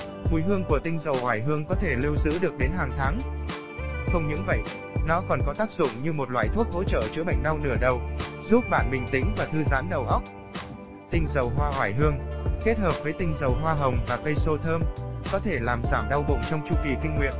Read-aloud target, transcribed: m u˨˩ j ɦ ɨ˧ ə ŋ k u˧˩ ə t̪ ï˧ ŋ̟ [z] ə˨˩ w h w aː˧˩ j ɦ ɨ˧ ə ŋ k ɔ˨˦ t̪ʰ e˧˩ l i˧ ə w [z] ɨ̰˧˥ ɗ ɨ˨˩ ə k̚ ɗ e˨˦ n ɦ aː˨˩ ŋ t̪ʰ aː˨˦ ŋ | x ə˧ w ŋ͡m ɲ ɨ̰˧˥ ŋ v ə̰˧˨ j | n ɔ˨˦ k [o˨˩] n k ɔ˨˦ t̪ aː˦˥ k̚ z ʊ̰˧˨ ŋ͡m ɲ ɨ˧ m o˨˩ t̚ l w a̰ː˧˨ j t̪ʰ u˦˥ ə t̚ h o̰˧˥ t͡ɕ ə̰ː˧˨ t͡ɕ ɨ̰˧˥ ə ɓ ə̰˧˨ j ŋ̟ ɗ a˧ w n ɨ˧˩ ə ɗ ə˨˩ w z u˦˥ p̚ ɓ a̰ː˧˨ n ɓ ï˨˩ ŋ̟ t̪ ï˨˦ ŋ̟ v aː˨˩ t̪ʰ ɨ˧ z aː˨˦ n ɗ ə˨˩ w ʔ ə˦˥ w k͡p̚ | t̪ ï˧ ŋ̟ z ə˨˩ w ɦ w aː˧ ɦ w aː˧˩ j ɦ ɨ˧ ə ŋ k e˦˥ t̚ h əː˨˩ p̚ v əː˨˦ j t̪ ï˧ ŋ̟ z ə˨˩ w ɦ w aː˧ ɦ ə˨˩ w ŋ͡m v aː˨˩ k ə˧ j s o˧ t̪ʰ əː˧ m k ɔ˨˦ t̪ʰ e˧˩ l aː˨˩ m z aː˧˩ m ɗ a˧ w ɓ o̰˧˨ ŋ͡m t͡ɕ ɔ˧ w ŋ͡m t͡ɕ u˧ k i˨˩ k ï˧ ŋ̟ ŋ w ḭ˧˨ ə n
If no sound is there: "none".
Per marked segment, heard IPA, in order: z, z, ɔ˨˩

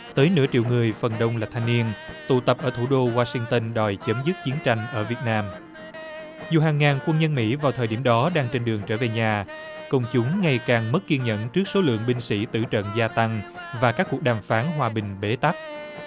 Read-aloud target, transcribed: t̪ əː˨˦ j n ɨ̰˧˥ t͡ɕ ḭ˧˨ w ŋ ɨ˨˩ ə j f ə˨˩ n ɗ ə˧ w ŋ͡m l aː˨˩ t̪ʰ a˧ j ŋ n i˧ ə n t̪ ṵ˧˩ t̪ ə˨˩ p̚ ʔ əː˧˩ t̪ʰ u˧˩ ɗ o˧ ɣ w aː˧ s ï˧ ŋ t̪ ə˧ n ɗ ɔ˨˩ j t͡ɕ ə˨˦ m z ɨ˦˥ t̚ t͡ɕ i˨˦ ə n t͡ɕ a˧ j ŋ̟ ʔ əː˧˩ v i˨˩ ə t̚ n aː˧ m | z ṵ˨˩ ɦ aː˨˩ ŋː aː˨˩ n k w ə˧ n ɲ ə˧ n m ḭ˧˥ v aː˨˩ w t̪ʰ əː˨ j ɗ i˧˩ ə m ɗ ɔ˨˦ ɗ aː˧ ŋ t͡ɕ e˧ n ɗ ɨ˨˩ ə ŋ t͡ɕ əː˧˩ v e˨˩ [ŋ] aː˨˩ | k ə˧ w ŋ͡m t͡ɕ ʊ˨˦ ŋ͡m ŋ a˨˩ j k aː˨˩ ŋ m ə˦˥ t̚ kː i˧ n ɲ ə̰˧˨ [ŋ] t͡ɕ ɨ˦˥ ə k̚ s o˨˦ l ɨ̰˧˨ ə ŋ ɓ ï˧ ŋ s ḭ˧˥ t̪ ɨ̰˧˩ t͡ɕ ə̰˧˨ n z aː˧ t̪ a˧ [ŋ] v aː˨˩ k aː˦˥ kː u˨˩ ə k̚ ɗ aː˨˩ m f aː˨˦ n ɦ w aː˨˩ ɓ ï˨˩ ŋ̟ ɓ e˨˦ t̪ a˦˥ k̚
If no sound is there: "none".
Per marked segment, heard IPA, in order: ɲ, n, ŋ

